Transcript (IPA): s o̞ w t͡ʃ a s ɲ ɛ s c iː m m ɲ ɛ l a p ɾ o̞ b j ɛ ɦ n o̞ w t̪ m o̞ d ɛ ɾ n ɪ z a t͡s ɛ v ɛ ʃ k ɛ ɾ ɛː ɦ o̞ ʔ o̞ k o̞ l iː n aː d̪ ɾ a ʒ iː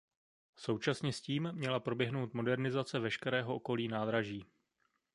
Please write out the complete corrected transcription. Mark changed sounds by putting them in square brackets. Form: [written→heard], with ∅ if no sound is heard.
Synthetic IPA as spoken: s o̞ w t͡ʃ a s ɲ ɛ s c iː m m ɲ ɛ l a p ɾ o̞ b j ɛ ɦ n o̞ w t̪ m o̞ d ɛ ɾ n ɪ z a t͡s ɛ v ɛ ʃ k ɛ ɾ ɛː ɦ o̞ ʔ o̞ k o̞ l iː n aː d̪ ɾ a ʒ iː